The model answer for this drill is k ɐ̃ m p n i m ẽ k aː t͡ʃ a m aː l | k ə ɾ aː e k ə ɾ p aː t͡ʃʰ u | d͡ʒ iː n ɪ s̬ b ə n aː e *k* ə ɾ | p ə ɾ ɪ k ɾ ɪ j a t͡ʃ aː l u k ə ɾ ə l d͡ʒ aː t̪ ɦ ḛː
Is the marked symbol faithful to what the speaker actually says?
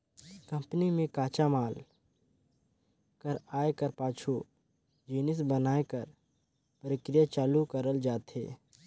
yes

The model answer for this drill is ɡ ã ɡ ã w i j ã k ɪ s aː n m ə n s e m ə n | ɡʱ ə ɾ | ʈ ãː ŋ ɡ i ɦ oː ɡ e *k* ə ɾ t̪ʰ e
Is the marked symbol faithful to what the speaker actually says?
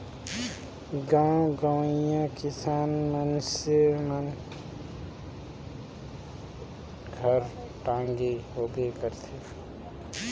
yes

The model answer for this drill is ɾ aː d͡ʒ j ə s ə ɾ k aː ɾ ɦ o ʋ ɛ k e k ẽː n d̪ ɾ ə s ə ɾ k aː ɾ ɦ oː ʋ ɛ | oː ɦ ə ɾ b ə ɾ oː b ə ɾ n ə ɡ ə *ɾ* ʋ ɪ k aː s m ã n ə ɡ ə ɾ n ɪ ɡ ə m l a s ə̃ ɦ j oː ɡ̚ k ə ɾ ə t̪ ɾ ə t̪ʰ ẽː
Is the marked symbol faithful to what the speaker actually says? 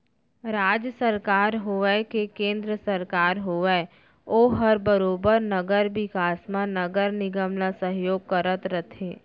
yes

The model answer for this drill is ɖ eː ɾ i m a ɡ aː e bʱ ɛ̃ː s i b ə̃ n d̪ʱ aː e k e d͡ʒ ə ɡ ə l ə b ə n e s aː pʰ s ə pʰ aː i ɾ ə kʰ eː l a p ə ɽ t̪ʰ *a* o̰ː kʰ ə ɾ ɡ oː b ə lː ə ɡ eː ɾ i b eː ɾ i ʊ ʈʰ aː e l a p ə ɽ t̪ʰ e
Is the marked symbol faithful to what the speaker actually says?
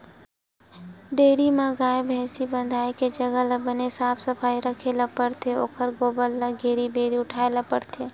no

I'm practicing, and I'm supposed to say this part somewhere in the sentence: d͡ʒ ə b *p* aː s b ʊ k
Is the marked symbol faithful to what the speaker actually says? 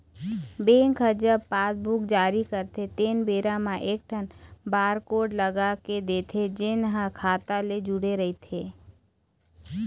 yes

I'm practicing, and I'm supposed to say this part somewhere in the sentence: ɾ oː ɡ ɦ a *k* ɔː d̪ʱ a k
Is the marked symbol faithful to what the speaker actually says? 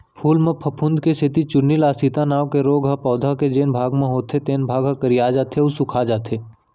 no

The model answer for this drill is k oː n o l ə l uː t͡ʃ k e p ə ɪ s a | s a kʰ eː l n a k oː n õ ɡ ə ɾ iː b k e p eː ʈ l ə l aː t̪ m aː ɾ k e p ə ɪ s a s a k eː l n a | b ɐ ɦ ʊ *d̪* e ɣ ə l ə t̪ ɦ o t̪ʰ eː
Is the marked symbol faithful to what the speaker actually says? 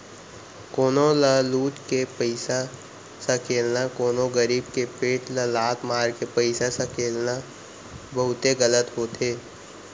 no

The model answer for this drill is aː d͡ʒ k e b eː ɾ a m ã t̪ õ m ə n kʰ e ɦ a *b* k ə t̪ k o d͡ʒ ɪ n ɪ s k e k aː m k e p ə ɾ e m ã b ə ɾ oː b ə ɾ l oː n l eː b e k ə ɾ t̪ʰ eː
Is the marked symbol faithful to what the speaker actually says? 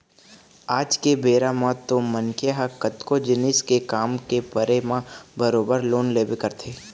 no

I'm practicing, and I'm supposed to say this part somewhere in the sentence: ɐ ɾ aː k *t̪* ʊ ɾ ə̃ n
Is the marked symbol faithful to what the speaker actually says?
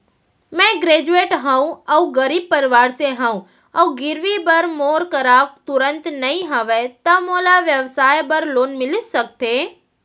yes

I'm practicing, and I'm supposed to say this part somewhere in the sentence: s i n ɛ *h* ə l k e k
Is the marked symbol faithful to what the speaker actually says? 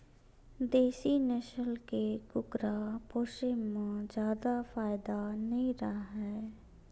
no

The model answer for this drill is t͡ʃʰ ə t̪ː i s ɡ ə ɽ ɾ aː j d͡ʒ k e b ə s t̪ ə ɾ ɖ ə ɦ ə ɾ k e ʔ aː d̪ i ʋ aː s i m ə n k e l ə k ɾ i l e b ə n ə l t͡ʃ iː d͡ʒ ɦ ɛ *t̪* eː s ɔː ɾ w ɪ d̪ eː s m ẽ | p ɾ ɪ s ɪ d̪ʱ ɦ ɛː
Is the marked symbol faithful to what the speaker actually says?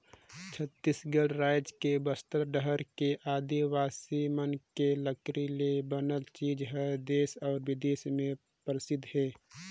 no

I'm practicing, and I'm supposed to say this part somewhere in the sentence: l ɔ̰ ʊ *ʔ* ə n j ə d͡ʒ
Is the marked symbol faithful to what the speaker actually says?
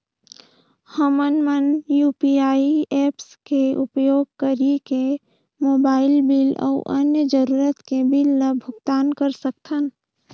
yes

